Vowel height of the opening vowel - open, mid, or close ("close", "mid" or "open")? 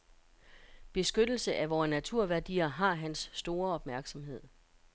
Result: mid